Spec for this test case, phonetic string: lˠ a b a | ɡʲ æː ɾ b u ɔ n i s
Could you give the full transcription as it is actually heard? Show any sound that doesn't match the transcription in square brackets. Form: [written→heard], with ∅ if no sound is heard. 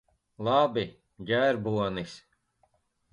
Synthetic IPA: lˠ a b [a→i] | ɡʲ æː ɾ b u ɔ n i s